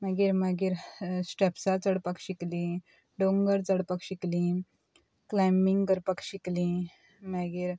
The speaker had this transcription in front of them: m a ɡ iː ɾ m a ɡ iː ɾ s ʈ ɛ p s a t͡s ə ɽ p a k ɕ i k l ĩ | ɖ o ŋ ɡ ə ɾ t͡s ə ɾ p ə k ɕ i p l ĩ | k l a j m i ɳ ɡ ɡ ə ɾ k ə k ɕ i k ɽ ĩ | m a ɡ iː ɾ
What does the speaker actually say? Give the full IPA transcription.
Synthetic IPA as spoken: m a ɡ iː ɾ m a ɡ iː ɾ s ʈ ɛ p s a t͡s ə ɽ p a k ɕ i k l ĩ | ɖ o ŋ ɡ ə ɾ t͡s ə ɽ p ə k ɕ i k l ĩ | k l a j m i ŋ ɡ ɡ ə ɾ p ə k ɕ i k l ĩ | m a ɡ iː ɾ